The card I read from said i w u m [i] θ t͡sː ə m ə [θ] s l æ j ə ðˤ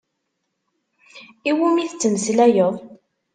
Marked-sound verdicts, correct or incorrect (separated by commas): correct, incorrect